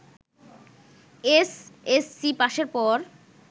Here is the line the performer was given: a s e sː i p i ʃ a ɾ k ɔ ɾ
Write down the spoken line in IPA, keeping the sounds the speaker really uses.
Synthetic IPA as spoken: e s e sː i p a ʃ e ɾ p ɔ ɾ